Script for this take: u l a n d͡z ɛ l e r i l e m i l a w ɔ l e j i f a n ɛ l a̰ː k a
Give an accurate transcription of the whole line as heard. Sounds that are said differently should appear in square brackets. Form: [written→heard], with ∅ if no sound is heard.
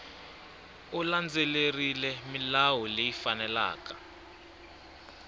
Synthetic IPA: u l a n d͡z [ɛ→e] l e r i l [e→ɛ] m i l a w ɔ l e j i f a n ɛ l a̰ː k a